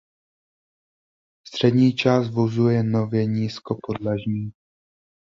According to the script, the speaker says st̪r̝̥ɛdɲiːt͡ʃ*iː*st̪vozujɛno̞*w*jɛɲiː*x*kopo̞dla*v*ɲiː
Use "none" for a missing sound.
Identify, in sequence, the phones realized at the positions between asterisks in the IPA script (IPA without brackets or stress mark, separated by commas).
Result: aː, v, s, ʒ